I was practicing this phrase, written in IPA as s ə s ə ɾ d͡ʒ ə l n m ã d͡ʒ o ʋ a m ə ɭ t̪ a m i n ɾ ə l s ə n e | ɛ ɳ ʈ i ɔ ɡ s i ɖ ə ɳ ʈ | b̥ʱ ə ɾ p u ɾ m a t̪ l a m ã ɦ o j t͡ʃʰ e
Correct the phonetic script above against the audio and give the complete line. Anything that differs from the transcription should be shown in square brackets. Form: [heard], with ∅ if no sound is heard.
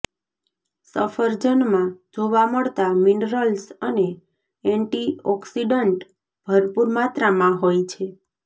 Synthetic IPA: s ə [f] ə ɾ d͡ʒ ə [∅] n m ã d͡ʒ o ʋ a m ə ɭ t̪ a m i n ɾ ə l s ə n e | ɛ ɳ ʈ i ɔ [k] s i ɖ ə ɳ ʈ | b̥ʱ ə ɾ p u ɾ m a t̪ [ɾ] a m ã ɦ o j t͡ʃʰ e